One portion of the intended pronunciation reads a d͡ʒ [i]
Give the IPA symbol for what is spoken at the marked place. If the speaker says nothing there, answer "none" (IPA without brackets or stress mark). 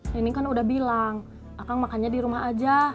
a